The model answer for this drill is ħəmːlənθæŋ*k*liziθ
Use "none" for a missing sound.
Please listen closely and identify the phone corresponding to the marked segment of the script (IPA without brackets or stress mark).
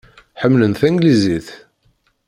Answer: ɡ